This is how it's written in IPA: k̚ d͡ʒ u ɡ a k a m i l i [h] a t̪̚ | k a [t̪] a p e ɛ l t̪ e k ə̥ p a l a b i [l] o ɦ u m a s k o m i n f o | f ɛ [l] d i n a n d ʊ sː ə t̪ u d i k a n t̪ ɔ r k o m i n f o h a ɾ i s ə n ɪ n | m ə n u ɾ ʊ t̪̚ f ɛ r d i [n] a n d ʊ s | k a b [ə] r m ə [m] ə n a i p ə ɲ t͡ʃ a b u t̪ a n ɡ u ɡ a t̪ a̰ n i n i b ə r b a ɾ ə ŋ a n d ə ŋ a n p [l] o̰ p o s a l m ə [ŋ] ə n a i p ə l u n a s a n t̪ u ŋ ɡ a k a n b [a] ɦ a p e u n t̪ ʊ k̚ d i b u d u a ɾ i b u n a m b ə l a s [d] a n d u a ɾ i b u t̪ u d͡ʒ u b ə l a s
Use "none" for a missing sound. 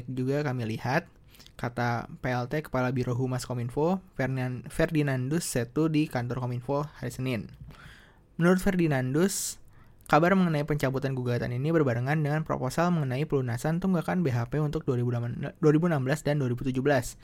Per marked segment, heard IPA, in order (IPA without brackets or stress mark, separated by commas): h, t̪, ɾ, r, n, a, ŋ, ɾ, ŋ, e, d